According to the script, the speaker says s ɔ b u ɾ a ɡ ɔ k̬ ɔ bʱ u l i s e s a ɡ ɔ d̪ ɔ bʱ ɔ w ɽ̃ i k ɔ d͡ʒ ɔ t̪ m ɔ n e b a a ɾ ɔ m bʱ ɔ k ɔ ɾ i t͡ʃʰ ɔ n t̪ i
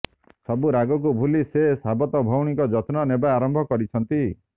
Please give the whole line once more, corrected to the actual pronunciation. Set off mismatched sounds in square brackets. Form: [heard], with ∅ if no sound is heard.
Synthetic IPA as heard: s ɔ b u ɾ a ɡ ɔ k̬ [u] bʱ u l i s e s a [b] ɔ [t̪] ɔ bʱ ɔ w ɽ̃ i k ɔ d͡ʒ ɔ t̪ [n] ɔ n e b a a ɾ ɔ m bʱ ɔ k ɔ ɾ i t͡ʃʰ ɔ n t̪ i

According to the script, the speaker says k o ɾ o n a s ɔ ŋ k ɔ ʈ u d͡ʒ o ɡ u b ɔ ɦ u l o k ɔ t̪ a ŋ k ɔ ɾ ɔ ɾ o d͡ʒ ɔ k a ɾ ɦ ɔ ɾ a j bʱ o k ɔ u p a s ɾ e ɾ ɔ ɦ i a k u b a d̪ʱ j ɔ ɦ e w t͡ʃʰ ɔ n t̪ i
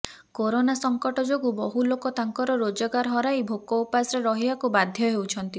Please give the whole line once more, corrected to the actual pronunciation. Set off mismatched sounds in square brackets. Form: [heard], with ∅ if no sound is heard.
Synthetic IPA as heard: k o ɾ o n a s ɔ ŋ k ɔ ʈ [ɔ] d͡ʒ o ɡ u b ɔ ɦ u l o k ɔ t̪ a ŋ k ɔ ɾ ɔ ɾ o d͡ʒ ɔ [ɡ] a ɾ ɦ ɔ ɾ a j bʱ o k ɔ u p a s ɾ e ɾ ɔ ɦ i a k u b a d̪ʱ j ɔ ɦ e w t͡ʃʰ ɔ n t̪ i

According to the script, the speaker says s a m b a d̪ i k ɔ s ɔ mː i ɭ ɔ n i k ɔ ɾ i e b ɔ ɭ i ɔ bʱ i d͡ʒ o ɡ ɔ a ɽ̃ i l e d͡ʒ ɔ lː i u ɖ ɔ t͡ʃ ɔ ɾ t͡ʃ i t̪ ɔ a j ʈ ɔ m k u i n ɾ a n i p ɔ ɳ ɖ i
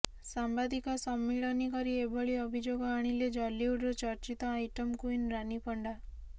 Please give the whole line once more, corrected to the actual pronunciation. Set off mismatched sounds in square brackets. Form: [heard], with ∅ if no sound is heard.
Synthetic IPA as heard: s a m b a d̪ i k ɔ s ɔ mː i ɭ ɔ n i k ɔ ɾ i e b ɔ ɭ i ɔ bʱ i d͡ʒ o ɡ ɔ a ɽ̃ i l e d͡ʒ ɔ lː i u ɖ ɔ t͡ʃ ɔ ɾ t͡ʃ i t̪ ɔ a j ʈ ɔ m k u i n ɾ a n i p ɔ ɳ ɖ [a]

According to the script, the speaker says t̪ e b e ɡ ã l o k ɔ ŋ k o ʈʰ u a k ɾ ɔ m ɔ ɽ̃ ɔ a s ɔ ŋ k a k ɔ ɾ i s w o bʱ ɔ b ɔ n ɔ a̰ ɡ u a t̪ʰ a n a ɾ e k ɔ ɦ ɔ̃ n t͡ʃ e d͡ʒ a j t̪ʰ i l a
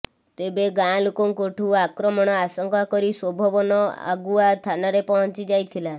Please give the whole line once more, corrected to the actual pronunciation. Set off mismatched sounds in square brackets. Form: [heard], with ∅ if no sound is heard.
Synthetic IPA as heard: t̪ e b e ɡ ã l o k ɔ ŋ k o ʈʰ u a k ɾ ɔ m ɔ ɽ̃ ɔ a s ɔ ŋ k a k ɔ ɾ i s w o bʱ ɔ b ɔ n ɔ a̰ ɡ u a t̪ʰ a n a ɾ e [p] ɔ ɦ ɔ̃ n t͡ʃ [i] d͡ʒ a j t̪ʰ i l a

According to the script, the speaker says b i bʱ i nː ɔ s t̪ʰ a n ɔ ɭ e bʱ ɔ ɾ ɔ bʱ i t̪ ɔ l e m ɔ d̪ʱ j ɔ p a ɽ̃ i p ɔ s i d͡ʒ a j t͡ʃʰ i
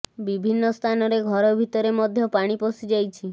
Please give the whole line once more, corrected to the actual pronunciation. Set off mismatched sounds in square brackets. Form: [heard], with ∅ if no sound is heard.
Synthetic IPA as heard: b i bʱ i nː ɔ s t̪ʰ a n ɔ [ɾ] e [ɡʱ] ɔ ɾ ɔ bʱ i t̪ ɔ [ɾ] e m ɔ d̪ʱ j ɔ p a ɽ̃ i p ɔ s i d͡ʒ a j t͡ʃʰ i

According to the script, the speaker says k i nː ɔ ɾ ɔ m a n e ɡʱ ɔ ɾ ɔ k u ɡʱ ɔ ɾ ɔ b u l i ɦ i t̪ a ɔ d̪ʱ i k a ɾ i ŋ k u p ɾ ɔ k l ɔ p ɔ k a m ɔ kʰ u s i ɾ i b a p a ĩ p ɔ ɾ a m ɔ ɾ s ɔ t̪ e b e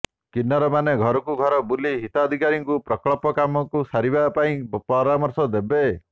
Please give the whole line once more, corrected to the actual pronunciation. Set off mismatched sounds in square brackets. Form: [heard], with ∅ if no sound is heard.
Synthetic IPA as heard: k i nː ɔ ɾ ɔ m a n e ɡʱ ɔ ɾ ɔ k u ɡʱ ɔ ɾ ɔ b u l i ɦ i t̪ a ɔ d̪ʱ i k a ɾ i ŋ k u p ɾ ɔ k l ɔ p ɔ k a m ɔ [k] u s [a] ɾ i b a p a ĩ p ɔ ɾ a m ɔ ɾ s ɔ [d̪] e b e

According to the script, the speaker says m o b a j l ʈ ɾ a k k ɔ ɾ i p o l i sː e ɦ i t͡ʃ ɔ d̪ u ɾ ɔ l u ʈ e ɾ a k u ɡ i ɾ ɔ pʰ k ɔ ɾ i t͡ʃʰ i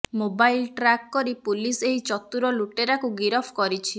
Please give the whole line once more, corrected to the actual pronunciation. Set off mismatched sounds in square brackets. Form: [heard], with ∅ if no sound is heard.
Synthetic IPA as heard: m o b a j l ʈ ɾ a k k ɔ ɾ i p [u] l i [s] e ɦ i t͡ʃ ɔ [t̪] u ɾ ɔ l u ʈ e ɾ a k u ɡ i ɾ ɔ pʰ k ɔ ɾ i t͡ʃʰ i

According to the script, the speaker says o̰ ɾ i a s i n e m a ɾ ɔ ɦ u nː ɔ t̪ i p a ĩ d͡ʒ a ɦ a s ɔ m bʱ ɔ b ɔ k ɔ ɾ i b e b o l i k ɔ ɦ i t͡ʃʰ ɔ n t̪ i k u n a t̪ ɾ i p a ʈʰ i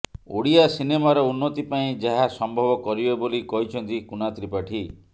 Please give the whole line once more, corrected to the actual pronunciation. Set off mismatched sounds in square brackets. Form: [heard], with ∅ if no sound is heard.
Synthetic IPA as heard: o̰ [ɽ] i a s i n e m a ɾ ɔ [∅] u nː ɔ t̪ i p a ĩ d͡ʒ a ɦ a s ɔ m bʱ ɔ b ɔ k ɔ ɾ i b e b o l i k ɔ ɦ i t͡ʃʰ ɔ n t̪ i k u n a t̪ ɾ i p a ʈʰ i

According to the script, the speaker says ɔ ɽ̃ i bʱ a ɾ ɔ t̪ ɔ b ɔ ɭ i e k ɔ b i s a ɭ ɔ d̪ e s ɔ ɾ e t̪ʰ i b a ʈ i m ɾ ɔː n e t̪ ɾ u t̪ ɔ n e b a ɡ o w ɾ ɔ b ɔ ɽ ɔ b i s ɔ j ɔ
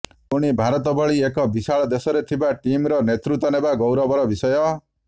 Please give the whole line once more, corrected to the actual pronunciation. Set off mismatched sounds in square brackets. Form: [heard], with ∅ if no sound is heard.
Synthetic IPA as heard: [u] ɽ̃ i bʱ a ɾ ɔ t̪ ɔ b ɔ ɭ i e k ɔ b i s a ɭ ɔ d̪ e s ɔ ɾ e t̪ʰ i b a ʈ i m ɾ [ɔ] n e t̪ ɾ u t̪ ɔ n e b a ɡ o w ɾ ɔ b ɔ [ɾ] ɔ b i s ɔ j ɔ

